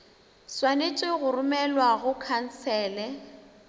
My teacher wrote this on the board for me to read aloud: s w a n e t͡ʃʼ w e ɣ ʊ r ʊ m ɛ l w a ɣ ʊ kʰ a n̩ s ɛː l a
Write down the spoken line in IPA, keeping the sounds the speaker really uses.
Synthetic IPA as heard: s w a n e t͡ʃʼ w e ɣ ʊ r ʊ m ɛ l w a ɣ ʊ kʰ a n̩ s ɛː l ɛ